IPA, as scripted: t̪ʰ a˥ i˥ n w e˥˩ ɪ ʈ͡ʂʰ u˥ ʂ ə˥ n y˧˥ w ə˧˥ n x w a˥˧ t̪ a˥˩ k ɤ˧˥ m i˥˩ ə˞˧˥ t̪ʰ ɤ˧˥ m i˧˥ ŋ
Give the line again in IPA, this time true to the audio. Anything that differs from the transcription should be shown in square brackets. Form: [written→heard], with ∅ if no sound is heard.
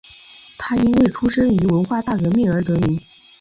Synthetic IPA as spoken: t̪ʰ a˥ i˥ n w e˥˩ ɪ ʈ͡ʂʰ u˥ ʂ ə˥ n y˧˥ w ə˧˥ n x w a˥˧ t̪ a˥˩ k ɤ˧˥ m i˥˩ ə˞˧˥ [t̪ʰ→t̪] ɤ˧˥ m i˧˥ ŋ